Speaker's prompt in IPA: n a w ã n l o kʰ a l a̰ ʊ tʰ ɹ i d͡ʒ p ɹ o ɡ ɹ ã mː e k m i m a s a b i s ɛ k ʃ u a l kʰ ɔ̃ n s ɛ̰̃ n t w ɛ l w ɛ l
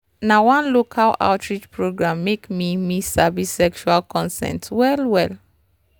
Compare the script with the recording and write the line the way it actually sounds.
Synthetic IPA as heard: n a w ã n l o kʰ a l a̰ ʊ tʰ ɹ i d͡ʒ p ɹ o ɡ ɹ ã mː e k m i m i s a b i s ɛ k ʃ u a l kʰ ɔ̃ n s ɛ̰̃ n t w ɛ l w ɛ l